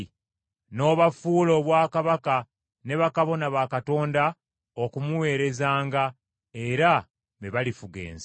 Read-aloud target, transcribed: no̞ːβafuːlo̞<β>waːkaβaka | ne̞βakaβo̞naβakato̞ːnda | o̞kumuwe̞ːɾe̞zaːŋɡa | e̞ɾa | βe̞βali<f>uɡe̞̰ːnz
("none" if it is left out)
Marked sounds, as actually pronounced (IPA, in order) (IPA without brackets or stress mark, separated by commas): β, f